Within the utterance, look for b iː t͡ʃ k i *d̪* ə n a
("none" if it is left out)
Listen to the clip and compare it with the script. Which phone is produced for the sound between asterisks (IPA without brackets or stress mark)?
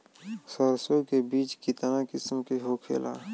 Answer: t̪